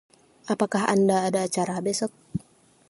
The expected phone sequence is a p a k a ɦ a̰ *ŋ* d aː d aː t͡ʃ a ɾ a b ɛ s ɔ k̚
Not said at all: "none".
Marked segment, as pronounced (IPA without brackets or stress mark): n